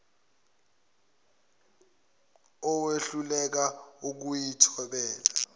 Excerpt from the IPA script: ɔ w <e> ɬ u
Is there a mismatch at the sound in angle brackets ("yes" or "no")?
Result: no